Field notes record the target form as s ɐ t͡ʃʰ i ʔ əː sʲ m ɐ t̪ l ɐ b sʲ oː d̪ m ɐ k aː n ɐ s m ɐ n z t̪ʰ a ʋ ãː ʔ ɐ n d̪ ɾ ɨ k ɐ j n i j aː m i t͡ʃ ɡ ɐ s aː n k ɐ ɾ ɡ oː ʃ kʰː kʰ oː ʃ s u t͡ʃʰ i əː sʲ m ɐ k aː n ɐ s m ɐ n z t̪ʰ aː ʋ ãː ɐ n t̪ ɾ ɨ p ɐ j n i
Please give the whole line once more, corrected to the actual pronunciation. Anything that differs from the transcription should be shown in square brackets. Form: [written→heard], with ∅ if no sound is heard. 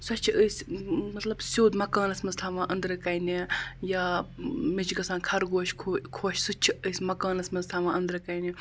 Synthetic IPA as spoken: s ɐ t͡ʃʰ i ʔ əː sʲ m ɐ t̪ l ɐ b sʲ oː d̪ m ɐ k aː n ɐ s m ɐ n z t̪ʰ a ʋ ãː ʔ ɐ n d̪ ɾ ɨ k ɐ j n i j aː m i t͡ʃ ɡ ɐ s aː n [k→kʰ] ɐ ɾ ɡ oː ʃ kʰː kʰ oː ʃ s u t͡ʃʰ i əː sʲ m ɐ k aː n ɐ s m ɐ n z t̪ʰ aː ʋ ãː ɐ n [t̪→d̪] ɾ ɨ [p→k] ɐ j n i